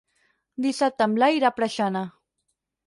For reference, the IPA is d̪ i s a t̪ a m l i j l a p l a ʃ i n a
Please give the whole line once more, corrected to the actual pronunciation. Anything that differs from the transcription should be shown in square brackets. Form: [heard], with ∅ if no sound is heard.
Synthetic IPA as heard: d̪ i s a t̪ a m l [a] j [ɾ] a p [ɾ] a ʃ [a] n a